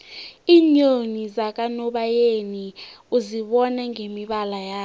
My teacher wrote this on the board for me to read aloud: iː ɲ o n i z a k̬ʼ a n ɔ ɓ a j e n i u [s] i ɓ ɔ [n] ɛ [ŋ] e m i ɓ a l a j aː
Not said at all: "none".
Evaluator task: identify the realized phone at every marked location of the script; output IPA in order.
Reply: z, n, ŋ

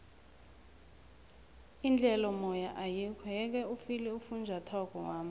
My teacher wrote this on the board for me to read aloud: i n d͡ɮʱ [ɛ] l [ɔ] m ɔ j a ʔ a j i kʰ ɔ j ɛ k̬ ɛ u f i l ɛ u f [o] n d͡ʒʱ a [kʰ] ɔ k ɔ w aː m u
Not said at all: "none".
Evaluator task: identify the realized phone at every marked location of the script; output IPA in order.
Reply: ɛ, ɔ, u, tʰ

